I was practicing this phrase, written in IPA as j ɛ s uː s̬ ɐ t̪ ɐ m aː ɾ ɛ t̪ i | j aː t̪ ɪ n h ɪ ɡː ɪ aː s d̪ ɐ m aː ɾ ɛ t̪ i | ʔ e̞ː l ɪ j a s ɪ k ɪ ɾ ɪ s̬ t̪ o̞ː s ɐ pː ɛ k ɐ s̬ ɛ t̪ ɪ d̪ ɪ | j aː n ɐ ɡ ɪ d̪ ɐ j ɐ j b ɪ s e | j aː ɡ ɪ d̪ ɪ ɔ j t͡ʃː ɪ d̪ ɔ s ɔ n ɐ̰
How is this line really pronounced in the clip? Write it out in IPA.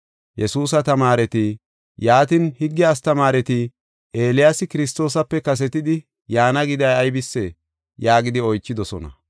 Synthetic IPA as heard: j ɛ s uː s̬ ɐ t̪ ɐ m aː ɾ ɛ t̪ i | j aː t̪ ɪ n h ɪ ɡː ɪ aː s t̪ ɐ m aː ɾ ɛ t̪ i | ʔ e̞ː l ɪ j a s ɪ k ɪ ɾ ɪ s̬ t̪ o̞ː s ɐ pː ɛ k ɐ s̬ ɛ t̪ ɪ d̪ ɪ | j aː n ɐ ɡ ɪ d̪ ɐ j ɐ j b ɪ sː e | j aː ɡ ɪ d̪ ɪ ɔ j t͡ʃː ɪ d̪ ɔ s ɔ n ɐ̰

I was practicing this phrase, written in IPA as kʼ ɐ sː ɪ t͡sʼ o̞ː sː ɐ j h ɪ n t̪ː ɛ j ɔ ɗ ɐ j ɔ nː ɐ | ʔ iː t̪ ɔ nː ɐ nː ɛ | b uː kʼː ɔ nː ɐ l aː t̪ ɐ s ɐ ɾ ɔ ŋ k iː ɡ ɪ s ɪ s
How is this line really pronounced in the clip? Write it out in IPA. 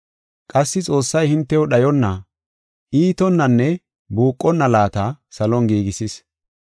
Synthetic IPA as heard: kʼ ɐ sː ɪ t͡sʼ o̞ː sː ɐ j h ɪ n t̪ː ɛ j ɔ ɗ ɐ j ɔ nː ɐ | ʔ iː t̪ ɔ nː ɐ nː ɛ | b uː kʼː ɔ nː ɐ l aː t̪ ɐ s ɐ l ɔ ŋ ɡ iː ɡ ɪ s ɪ s

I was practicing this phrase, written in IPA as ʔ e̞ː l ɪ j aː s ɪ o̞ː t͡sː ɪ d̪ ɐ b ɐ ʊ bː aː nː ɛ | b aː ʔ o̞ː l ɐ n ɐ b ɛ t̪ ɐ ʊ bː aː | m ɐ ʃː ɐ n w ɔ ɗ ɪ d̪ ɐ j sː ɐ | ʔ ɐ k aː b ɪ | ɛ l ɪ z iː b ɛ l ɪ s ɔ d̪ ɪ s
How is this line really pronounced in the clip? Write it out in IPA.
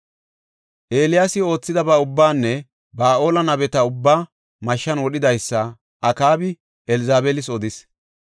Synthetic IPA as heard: ʔ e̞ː l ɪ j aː s ɪ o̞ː t͡sː ɪ d̪ ɐ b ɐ ʊ bː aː nː ɛ | b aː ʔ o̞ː l ɐ n ɐ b ɛ t̪ ɐ ʊ bː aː | m ɐ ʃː ɐ n w ɔ ɗ ɪ d̪ ɐ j sː ɐ | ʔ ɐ k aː b ɪ | ɛ l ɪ z aː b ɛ l ɪ s ɔ d̪ ɪ s

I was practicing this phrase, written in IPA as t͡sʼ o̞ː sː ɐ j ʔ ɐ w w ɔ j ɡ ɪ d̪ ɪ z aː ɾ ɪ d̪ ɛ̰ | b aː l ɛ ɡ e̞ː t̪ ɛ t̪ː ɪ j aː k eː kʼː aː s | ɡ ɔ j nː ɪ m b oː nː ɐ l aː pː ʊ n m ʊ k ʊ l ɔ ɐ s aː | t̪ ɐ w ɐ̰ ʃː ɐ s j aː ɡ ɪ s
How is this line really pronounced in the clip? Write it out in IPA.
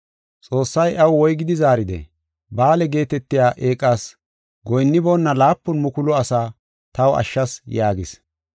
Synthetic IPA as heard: t͡sʼ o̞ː sː ɐ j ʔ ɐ w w ɔ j ɡ ɪ d̪ ɪ z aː ɾ ɪ d̪ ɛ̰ | b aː l ɛ ɡ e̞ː t̪ ɛ t̪ː ɪ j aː ʔ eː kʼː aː s | ɡ ɔ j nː ɪ b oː nː ɐ l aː pː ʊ n m ʊ k ʊ l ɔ ɐ s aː | t̪ ɐ w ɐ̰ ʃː ɐ s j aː ɡ ɪ s

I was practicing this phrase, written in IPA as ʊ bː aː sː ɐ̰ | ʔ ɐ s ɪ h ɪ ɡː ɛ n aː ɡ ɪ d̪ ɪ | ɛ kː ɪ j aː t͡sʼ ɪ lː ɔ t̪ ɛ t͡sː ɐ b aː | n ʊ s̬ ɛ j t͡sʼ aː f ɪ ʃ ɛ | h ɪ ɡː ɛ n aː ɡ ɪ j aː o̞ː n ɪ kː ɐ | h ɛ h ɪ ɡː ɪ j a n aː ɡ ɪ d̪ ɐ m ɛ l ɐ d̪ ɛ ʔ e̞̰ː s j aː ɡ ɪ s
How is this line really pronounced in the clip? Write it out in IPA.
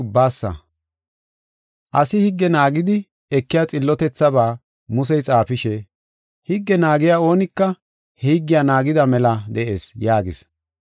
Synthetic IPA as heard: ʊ bː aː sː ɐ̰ | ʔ ɐ s ɪ h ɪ ɡː ɛ n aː ɡ ɪ d̪ ɪ | ɛ kː ɪ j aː t͡sʼ ɪ lː ɔ t̪ ɛ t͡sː ɐ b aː | m ʊ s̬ ɛ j t͡sʼ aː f ɪ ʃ ɛ | h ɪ ɡː ɛ n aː ɡ ɪ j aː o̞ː n ɪ kː ɐ | h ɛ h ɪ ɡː ɪ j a n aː ɡ ɪ d̪ ɐ m ɛ l ɐ d̪ ɛ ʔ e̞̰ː s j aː ɡ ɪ s

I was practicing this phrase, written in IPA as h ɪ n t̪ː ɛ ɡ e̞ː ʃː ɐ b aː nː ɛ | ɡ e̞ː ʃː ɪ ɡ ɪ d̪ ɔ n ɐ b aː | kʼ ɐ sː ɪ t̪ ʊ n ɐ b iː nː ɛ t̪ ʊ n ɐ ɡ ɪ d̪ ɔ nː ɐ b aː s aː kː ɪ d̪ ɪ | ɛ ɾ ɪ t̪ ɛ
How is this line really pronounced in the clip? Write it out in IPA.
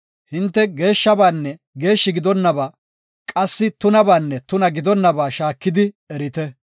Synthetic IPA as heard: h ɪ n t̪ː ɛ ɡ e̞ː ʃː ɐ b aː nː ɛ | ɡ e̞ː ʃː ɪ ɡ ɪ d̪ ɔ nː ɐ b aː | kʼ ɐ sː ɪ t̪ ʊ n ɐ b aː nː ɛ t̪ ʊ n ɐ ɡ ɪ d̪ ɔ nː ɐ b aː ʃ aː kː ɪ d̪ ɪ | ɛ ɾ ɪ t̪ ɛ

